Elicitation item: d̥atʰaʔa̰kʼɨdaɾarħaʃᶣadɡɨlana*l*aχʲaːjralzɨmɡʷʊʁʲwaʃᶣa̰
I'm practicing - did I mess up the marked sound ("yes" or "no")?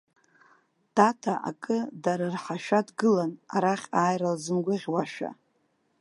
yes